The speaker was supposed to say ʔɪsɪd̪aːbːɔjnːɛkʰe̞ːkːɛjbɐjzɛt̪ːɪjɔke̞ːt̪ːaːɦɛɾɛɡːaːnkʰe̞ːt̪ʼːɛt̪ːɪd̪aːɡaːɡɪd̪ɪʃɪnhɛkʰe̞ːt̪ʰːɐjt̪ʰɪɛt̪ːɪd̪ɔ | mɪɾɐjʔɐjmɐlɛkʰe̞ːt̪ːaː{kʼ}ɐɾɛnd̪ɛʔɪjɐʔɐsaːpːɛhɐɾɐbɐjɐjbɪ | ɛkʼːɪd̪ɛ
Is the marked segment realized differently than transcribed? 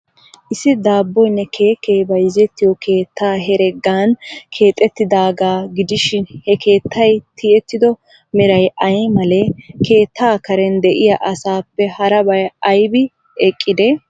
yes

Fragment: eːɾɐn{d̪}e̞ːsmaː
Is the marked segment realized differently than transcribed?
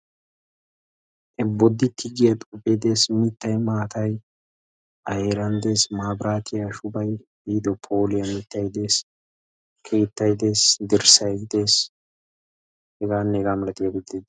no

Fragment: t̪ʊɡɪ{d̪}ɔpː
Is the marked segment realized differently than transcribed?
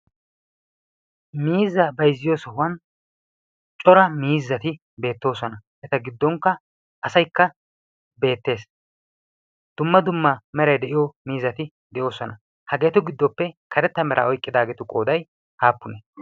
yes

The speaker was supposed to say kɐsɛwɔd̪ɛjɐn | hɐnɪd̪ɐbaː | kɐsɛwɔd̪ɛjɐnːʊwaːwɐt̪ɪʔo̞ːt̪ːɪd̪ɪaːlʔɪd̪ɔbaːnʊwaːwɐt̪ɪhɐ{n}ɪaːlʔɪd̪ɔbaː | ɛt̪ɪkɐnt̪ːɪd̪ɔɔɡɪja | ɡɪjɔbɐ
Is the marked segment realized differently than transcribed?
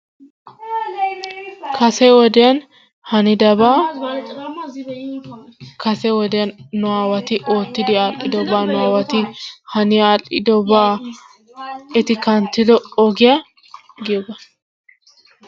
no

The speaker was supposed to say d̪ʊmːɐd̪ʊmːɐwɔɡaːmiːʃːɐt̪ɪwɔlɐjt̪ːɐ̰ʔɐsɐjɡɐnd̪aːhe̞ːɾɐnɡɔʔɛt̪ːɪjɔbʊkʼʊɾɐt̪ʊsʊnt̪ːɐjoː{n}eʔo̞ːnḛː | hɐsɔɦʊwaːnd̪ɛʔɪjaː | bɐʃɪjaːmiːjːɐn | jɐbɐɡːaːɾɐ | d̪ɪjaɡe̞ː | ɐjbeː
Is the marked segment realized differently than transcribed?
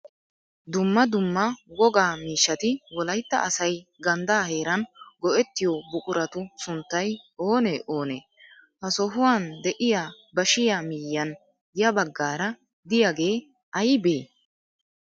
no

